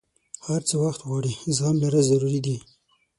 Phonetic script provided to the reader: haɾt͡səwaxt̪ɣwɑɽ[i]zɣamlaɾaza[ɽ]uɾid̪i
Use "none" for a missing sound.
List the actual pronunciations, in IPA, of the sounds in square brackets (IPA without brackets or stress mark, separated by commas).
i, ɾ